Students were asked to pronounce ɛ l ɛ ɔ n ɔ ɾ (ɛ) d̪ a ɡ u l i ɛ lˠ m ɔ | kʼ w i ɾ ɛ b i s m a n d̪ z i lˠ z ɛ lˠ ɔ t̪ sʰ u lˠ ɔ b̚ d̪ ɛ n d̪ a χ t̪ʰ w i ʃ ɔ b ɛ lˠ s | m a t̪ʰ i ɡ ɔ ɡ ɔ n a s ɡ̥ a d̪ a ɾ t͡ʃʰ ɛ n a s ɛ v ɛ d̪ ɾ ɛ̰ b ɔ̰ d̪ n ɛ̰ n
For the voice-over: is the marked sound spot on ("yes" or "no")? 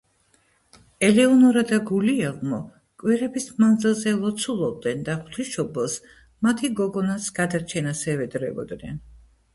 no